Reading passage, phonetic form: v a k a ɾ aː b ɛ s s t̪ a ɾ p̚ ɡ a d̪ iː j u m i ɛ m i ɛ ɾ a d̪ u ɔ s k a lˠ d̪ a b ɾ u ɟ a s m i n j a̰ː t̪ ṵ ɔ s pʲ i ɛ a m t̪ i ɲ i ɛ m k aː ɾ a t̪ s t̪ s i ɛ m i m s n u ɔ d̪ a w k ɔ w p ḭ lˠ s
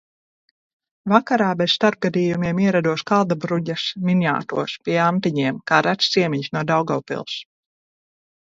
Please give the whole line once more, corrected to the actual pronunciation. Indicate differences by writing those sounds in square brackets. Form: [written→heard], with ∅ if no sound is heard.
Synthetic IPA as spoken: v a k a ɾ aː b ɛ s s t̪ a ɾ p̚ ɡ a d̪ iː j u m i ɛ m i ɛ ɾ a d̪ u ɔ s k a lˠ d̪ a b ɾ u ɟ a s m i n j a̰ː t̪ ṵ ɔ s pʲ i ɛ a m t̪ i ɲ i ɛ m k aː ɾ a t̪ s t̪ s i ɛ m i [m→ɲ] s n u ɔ d̪ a w [k→ɡ] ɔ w p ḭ lˠ s